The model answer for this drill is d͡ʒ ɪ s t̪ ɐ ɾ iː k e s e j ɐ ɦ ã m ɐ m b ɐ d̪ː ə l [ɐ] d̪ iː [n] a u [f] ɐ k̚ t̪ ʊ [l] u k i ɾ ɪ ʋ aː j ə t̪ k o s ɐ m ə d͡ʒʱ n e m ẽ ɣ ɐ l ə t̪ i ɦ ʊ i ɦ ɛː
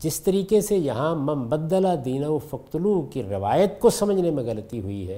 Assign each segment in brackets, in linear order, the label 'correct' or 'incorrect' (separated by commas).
incorrect, correct, correct, correct